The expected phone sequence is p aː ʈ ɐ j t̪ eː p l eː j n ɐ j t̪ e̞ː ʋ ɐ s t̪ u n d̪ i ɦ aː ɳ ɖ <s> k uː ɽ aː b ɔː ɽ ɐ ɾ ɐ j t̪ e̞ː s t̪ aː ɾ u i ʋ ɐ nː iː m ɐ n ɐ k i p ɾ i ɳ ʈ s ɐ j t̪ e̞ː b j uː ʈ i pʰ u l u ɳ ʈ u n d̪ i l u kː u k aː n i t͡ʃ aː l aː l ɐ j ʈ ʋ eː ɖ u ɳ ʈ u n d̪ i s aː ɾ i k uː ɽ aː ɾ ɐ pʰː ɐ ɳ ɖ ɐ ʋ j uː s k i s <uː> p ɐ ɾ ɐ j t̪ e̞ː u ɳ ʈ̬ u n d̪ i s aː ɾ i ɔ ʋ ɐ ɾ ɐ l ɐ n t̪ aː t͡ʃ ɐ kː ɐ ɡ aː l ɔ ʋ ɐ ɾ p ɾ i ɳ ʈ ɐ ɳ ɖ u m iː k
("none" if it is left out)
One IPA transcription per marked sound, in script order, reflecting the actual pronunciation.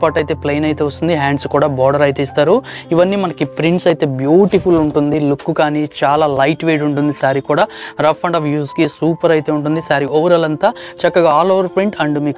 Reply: s, uː

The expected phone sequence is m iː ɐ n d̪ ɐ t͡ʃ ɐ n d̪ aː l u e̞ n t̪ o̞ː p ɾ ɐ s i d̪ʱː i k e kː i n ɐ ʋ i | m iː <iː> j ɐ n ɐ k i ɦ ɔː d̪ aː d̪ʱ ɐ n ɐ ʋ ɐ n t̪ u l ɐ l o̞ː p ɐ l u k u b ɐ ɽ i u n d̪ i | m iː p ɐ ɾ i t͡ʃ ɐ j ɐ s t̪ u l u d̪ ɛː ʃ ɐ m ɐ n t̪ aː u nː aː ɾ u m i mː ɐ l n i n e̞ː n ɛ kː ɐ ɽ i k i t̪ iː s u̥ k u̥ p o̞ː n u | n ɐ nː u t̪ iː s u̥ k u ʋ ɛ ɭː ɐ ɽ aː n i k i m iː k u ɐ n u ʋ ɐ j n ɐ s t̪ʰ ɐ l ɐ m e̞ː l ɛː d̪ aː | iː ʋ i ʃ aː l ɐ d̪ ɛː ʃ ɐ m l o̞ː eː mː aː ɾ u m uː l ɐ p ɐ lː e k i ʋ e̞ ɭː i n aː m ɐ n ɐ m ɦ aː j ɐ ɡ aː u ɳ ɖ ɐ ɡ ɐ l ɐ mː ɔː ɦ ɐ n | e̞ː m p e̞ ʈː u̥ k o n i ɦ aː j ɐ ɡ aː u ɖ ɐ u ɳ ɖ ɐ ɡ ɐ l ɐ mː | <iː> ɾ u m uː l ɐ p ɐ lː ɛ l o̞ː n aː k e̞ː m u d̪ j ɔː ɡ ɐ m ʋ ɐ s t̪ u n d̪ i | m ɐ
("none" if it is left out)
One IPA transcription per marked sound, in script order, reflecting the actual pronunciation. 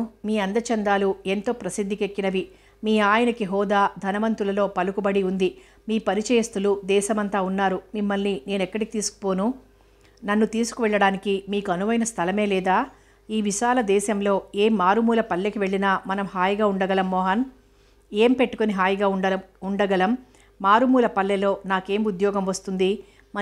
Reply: aː, aː

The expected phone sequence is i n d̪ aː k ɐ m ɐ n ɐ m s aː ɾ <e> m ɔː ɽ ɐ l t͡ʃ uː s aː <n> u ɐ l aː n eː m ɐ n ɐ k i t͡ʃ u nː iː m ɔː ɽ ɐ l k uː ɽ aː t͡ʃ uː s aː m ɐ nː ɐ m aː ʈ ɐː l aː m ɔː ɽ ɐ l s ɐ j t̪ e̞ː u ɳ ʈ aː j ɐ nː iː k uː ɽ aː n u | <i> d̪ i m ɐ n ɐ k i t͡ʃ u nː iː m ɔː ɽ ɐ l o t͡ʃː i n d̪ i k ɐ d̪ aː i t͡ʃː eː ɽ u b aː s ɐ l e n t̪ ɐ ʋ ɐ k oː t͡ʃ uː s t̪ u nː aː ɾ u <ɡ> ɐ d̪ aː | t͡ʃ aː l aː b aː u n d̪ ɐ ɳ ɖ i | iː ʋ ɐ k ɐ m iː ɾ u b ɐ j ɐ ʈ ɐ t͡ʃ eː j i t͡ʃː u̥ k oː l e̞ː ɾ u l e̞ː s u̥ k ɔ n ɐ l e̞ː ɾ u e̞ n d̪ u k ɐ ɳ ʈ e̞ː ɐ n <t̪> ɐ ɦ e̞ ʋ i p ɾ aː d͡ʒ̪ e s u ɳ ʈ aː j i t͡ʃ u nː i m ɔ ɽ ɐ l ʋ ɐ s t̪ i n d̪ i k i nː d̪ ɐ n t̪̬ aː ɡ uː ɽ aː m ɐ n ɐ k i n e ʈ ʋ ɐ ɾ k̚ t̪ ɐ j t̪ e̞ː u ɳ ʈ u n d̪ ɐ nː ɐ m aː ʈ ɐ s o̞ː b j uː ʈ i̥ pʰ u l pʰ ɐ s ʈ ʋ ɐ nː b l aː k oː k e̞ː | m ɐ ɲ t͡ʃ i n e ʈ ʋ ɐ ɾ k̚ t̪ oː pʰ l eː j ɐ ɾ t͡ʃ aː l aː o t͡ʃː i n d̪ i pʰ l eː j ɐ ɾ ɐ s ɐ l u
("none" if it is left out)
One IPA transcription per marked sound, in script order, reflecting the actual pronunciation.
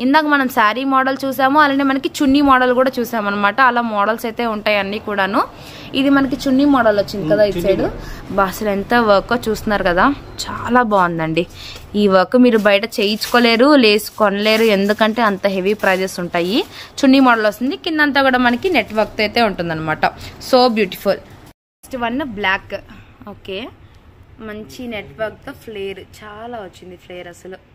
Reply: i, m, i, k, t̪

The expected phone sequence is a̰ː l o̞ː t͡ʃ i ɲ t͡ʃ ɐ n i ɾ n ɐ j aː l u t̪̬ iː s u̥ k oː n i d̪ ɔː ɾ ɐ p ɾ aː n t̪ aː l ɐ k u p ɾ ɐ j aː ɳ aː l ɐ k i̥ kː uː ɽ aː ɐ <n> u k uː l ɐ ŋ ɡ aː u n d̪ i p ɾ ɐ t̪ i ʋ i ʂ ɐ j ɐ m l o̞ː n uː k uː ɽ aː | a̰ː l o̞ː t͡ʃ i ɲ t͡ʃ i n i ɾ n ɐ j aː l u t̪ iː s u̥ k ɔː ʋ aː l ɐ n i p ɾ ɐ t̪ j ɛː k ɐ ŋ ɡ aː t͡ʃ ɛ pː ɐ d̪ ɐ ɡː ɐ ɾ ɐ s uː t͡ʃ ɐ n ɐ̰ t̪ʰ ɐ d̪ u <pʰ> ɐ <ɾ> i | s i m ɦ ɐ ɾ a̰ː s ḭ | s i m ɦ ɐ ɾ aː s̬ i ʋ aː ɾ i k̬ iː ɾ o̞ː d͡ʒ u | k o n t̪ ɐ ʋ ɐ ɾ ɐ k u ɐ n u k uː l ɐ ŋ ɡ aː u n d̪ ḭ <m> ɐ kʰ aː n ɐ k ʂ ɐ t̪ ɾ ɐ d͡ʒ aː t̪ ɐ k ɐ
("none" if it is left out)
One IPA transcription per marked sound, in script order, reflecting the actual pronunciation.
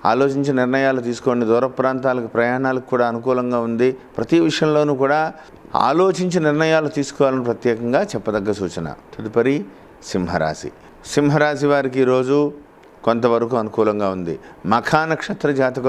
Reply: n, p, ɾ, m

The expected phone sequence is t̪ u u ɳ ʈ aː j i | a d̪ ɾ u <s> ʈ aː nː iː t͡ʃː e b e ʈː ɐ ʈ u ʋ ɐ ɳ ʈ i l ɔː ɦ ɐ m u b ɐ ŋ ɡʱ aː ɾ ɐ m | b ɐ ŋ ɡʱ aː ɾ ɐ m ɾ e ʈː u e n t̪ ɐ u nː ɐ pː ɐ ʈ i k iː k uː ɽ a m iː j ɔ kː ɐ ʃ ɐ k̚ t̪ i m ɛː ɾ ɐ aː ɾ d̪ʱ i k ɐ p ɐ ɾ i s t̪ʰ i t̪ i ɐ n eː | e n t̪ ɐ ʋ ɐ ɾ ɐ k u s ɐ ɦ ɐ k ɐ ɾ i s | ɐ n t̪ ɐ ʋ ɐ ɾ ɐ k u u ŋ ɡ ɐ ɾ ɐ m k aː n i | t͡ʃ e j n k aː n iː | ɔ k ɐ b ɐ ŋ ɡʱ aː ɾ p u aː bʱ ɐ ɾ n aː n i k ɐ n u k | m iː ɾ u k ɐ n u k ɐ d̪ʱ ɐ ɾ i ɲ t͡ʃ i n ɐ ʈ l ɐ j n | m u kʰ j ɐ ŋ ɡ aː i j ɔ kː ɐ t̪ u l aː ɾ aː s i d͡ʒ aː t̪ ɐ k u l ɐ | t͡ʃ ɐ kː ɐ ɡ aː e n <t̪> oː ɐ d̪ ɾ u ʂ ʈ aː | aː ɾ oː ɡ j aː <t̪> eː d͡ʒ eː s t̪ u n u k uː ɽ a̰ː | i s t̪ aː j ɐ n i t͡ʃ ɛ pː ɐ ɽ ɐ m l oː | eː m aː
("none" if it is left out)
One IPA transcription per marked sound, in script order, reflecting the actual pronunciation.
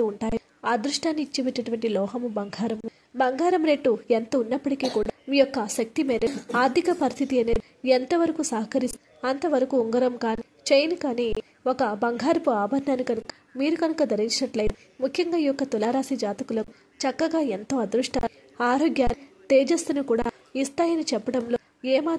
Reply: ʂ, t̪, t̪

